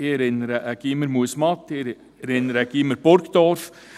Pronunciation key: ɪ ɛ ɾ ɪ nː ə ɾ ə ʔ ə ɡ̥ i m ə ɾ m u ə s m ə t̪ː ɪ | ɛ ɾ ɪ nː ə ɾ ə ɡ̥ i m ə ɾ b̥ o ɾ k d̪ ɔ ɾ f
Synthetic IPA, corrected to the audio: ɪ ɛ ɾ ɪ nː ə ɾ ə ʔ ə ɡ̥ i m ə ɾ m u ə s m ɑ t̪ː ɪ | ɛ ɾ ɪ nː ə ɾ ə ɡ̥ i m ə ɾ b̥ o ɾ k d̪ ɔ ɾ f